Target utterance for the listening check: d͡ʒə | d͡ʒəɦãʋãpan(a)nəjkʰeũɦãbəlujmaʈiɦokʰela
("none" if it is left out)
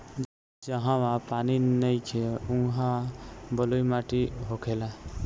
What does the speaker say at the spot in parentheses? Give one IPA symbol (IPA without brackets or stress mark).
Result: i